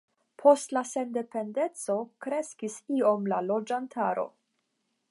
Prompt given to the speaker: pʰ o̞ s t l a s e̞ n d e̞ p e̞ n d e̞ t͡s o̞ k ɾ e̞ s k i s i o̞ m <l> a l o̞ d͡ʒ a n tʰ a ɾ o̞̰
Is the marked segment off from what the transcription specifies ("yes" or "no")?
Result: no